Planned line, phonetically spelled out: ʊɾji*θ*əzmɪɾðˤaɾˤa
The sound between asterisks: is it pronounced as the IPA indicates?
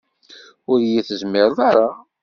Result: yes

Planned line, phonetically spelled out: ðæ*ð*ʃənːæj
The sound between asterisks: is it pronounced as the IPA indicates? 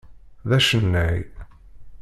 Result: no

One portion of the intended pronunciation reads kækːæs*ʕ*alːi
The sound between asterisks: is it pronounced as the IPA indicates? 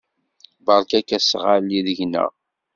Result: no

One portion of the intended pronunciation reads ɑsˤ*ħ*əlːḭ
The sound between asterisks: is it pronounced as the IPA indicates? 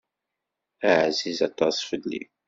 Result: no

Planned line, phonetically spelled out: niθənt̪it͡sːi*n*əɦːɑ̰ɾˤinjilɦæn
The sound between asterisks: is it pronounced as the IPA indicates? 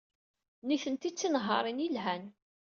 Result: yes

